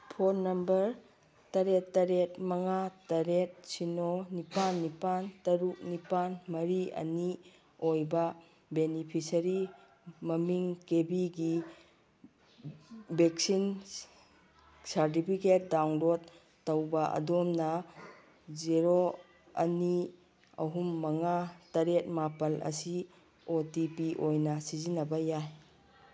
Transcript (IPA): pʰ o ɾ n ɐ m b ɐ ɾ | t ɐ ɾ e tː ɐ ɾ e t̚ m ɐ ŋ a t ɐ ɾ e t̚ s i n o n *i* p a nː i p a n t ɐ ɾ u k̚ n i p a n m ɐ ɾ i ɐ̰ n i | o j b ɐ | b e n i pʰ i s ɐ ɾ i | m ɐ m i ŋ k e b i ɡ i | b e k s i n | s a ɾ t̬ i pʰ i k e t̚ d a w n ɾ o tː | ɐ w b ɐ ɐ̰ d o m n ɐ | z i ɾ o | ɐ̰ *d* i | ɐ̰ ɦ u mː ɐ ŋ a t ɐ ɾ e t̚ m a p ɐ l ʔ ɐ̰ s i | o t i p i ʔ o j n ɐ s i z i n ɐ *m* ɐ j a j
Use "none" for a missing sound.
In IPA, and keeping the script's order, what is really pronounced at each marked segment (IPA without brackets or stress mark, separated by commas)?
i, n, b